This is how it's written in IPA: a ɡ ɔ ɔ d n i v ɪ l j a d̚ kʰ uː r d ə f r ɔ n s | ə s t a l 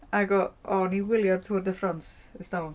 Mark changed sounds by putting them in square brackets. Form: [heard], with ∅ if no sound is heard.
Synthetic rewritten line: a ɡ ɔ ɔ [∅] n i [w] ɪ l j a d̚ [tʰ] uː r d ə f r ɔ n s | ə s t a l

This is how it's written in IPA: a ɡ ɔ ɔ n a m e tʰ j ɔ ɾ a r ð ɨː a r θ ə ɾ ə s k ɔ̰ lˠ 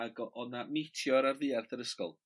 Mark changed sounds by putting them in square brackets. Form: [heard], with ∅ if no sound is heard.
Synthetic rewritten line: a ɡ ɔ ɔ n a m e tʰ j ɔ ɾ a r ð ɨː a r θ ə ɾ ə s k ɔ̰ lˠ

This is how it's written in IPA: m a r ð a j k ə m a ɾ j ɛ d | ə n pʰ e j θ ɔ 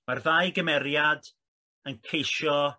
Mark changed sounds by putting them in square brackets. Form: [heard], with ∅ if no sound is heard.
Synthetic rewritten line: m a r ð a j [ɡ] ə m [ɛ] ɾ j [a] d | ə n [kʰ] e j [ʃ] ɔ

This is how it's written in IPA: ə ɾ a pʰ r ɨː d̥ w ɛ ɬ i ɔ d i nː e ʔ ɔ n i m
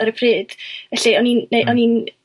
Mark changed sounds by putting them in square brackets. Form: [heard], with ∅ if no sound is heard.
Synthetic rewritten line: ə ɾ [ə] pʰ r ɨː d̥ [v] ɛ ɬ i ɔ [n] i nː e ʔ ɔ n i [n]

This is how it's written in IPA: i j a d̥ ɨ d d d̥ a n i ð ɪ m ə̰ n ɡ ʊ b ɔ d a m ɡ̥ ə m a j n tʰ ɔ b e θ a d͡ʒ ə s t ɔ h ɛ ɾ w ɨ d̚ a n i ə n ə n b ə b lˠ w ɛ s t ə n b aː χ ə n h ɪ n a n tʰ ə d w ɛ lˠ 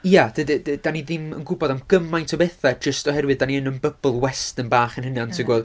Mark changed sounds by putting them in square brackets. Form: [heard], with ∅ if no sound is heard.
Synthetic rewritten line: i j a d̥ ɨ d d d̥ a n i ð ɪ m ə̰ n ɡ ʊ b ɔ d a m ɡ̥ ə m a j n tʰ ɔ b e θ a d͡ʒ ə s t ɔ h ɛ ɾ w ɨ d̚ a n i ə n ə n b ə b lˠ w ɛ s t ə n b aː χ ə n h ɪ n a n tʰ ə [ɡ] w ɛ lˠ

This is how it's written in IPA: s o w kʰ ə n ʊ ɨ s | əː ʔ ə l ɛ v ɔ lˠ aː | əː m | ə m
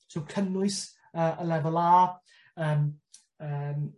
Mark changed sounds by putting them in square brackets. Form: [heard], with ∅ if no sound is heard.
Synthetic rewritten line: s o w kʰ ə n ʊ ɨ s | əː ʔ ə l ɛ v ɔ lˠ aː | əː m | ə m

